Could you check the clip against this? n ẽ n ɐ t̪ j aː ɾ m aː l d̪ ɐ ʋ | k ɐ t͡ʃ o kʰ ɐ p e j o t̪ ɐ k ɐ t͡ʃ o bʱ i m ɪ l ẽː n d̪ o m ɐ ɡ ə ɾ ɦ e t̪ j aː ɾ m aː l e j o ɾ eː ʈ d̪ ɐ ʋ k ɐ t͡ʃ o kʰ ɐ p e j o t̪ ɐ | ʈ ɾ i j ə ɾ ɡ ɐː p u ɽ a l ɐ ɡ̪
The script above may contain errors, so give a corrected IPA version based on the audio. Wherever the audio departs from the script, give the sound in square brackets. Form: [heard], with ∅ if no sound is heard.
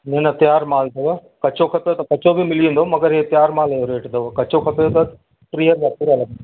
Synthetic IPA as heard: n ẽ n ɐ t̪ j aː ɾ m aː l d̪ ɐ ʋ | k ɐ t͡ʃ o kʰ ɐ p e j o t̪ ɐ k ɐ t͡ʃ o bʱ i m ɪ l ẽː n d̪ o m ɐ ɡ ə ɾ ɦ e t̪ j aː ɾ m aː l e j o ɾ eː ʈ d̪ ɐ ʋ k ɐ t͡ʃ o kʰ ɐ p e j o t̪ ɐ | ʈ ɾ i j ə ɾ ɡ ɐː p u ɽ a l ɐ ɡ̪